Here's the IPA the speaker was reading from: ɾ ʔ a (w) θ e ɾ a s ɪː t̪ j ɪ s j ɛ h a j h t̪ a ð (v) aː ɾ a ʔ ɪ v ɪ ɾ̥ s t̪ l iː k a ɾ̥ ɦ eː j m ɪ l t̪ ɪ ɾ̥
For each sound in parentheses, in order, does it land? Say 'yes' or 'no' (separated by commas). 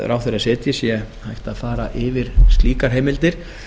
yes, no